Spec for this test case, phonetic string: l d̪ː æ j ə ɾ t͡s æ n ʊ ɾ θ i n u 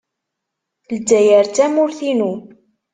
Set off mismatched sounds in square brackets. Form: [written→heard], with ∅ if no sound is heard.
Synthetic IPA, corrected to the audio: l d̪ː æ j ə ɾ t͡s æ [n→m] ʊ ɾ θ i n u